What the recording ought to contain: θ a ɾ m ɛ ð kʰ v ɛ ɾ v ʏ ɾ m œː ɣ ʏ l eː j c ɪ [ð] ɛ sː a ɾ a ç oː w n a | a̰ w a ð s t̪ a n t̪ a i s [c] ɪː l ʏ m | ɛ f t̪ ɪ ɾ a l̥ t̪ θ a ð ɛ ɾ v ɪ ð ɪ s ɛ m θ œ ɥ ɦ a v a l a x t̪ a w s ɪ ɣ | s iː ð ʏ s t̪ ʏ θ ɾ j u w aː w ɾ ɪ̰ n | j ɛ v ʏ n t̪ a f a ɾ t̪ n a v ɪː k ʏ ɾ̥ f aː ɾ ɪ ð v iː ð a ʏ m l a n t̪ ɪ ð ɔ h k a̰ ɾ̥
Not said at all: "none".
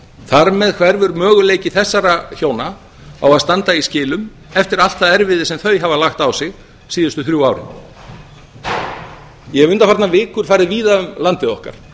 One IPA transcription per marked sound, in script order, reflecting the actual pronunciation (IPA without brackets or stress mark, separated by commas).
θ, c